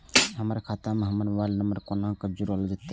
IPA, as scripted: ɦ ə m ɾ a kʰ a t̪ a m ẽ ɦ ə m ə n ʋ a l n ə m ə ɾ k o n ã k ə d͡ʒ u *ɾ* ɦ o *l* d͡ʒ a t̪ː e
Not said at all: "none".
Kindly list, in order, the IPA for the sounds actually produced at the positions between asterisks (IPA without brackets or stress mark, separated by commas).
ɾ, l